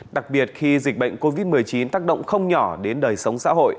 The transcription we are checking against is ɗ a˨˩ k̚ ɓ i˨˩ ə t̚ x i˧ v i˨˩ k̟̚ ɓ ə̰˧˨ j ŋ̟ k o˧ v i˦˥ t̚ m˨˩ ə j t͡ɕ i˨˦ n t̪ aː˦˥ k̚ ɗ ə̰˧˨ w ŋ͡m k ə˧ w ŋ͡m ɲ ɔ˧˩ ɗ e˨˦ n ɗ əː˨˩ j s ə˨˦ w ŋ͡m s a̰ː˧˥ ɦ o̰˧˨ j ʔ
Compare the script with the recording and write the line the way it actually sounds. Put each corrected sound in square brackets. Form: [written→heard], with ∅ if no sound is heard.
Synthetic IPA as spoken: ɗ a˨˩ k̚ ɓ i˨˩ ə t̚ x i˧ [v→z] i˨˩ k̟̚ ɓ ə̰˧˨ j ŋ̟ k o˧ v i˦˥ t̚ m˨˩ ə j t͡ɕ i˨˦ n t̪ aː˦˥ k̚ ɗ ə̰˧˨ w ŋ͡m [k→x] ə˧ w ŋ͡m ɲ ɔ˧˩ ɗ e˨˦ n ɗ əː˨˩ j s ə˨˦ w ŋ͡m s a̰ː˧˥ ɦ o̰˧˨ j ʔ